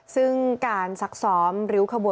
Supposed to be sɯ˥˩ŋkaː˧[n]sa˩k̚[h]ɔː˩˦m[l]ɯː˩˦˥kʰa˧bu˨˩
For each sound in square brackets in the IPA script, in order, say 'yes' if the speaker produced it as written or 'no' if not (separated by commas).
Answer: yes, no, no